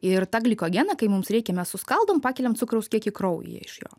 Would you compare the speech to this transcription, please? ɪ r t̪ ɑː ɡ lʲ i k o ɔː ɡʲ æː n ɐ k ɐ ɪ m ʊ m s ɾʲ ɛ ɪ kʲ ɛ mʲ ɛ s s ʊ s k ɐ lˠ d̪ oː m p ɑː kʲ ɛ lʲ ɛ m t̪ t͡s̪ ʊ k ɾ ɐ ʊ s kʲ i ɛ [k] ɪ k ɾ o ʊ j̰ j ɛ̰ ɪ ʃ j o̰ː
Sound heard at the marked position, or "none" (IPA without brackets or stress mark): k